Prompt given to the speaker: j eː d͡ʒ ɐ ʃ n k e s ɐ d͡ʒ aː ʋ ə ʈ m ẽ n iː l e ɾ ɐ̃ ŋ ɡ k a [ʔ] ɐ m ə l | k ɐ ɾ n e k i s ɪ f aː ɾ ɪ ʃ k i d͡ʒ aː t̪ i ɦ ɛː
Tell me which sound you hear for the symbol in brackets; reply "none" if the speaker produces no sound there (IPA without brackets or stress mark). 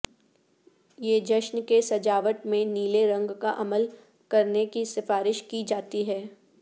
ʔ